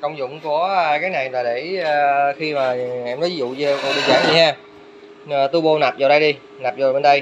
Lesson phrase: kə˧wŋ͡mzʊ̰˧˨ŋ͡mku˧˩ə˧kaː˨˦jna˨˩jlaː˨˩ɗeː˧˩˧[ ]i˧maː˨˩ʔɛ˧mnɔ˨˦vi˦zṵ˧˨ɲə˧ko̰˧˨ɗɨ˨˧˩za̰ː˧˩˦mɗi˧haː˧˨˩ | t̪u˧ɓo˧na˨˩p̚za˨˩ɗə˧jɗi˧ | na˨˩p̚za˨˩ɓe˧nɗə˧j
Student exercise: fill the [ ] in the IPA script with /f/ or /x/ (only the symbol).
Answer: x